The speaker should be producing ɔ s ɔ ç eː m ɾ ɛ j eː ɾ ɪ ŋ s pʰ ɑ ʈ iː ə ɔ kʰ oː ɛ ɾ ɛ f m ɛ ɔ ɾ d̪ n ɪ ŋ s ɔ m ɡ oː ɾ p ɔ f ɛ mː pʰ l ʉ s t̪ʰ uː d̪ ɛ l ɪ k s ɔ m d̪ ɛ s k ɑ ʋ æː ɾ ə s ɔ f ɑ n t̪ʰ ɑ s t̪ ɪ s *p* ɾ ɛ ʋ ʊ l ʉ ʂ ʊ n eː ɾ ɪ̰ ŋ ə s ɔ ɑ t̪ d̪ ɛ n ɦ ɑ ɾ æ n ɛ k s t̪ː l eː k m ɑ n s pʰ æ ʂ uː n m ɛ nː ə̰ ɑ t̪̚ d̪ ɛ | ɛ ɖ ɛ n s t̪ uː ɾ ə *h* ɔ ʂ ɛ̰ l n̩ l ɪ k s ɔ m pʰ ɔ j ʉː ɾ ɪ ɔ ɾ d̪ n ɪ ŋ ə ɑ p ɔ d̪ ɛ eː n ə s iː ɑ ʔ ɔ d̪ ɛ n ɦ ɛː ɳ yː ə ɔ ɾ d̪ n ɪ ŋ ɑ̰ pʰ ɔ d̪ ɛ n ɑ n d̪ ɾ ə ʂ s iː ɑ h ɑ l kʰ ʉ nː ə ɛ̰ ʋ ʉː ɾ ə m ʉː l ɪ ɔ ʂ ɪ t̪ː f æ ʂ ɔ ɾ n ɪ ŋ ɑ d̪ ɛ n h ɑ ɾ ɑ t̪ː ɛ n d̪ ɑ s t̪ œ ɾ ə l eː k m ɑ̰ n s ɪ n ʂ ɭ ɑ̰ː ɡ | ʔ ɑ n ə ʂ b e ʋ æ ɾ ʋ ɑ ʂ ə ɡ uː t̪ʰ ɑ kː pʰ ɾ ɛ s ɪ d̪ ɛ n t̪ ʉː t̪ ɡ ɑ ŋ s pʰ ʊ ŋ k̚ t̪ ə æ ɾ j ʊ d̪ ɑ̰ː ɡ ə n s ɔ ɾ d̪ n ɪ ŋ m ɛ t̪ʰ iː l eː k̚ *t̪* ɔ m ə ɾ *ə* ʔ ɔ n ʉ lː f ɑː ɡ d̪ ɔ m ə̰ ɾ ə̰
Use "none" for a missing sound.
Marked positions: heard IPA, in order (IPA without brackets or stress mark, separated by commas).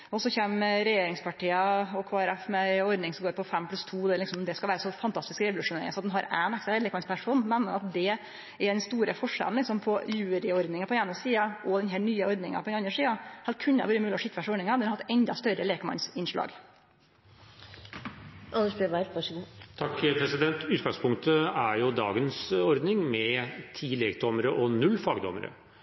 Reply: k, f, d̪, ə